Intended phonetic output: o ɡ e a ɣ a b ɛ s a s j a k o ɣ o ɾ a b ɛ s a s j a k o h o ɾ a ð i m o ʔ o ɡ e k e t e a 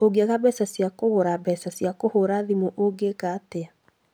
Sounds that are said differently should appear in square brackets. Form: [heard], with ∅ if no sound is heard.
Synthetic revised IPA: o ɡ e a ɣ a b ɛ s a s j a k o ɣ o ɾ a b ɛ s a s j a k o h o ɾ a ð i m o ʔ o ɡ e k [a] t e a